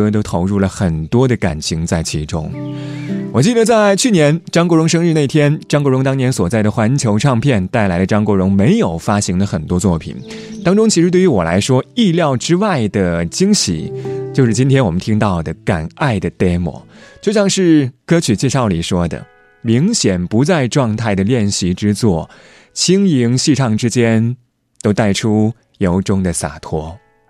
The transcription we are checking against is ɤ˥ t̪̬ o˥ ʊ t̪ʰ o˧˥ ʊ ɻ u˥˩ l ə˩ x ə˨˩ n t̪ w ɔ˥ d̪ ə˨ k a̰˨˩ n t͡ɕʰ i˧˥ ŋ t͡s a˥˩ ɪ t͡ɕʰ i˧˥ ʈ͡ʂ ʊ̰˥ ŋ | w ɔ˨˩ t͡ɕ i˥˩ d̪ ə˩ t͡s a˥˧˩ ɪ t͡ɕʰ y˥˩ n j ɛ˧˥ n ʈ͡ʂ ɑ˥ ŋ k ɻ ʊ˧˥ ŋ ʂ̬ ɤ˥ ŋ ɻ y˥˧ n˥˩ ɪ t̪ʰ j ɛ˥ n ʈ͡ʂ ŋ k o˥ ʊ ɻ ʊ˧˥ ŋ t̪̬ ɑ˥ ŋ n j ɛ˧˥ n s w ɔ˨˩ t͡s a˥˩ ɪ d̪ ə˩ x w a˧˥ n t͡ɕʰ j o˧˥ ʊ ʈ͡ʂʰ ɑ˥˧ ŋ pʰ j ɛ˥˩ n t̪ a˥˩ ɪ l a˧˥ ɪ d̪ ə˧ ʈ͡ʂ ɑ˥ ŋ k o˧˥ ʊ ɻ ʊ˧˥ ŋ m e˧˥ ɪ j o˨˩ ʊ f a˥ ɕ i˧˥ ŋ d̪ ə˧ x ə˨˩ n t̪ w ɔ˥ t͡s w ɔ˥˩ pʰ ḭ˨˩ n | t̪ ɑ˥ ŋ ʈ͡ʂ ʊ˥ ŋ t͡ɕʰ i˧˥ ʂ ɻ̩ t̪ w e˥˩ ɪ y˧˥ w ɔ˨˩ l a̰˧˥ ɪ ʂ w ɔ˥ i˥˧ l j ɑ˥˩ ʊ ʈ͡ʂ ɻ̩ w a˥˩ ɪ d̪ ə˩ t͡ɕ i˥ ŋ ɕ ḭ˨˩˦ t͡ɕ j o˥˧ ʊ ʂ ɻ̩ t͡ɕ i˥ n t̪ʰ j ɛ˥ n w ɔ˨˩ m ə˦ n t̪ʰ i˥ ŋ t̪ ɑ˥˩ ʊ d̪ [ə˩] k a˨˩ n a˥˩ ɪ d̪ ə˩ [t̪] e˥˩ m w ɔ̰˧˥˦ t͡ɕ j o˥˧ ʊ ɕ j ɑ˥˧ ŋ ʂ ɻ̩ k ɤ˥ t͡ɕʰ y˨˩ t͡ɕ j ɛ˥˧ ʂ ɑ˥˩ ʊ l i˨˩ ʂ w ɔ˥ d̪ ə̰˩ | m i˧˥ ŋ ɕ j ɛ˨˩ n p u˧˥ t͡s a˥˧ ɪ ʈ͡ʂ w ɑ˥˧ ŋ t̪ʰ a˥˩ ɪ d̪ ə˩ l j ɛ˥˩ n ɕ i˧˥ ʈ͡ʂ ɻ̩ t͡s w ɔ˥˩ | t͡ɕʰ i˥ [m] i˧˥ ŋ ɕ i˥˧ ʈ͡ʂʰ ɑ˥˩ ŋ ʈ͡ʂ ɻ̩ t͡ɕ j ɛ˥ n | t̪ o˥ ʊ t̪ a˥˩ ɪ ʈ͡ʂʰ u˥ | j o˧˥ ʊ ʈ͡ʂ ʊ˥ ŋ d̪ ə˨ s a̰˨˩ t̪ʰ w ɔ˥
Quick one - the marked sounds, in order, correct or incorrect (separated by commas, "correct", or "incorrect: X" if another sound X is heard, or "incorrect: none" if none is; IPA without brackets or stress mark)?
correct, correct, incorrect: ŋ